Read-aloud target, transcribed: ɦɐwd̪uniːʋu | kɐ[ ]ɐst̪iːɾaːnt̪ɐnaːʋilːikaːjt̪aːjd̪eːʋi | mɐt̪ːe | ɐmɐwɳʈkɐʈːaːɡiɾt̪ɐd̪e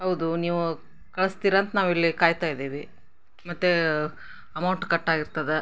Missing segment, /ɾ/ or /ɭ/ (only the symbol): ɭ